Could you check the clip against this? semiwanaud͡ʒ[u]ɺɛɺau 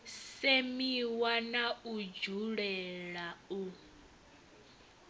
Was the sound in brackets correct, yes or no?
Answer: yes